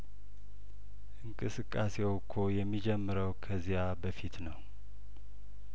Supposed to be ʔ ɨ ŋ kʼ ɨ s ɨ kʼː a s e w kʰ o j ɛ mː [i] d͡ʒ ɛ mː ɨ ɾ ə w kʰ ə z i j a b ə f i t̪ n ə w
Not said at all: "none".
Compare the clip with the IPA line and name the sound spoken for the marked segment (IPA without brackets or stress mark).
i